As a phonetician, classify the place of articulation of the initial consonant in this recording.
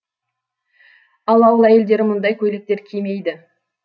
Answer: alveolar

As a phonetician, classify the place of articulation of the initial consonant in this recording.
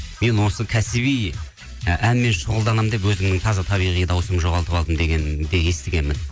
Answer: labial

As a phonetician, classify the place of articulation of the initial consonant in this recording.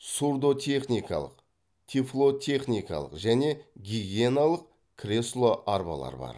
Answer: alveolar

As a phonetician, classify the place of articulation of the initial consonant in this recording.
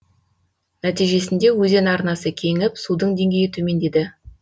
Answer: alveolar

